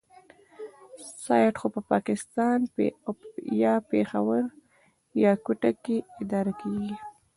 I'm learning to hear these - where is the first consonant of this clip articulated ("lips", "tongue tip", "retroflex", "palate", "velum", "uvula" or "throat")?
tongue tip